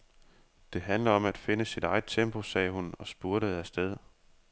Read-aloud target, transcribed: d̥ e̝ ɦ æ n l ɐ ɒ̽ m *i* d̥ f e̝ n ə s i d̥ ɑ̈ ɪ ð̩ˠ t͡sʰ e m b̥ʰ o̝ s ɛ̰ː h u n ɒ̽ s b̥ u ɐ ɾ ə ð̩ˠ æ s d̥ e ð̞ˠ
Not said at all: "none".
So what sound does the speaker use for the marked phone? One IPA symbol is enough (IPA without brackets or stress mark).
æ